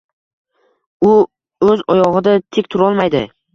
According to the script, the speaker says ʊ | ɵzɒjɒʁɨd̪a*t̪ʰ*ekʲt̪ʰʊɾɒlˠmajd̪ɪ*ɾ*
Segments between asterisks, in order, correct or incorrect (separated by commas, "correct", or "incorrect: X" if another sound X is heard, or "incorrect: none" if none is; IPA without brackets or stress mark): correct, incorrect: none